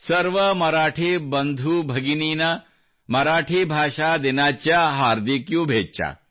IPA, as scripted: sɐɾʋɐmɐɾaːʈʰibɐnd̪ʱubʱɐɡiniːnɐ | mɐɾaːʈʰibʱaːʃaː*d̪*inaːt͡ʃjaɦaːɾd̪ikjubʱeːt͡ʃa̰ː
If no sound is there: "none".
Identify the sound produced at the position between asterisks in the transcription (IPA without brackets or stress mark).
d̪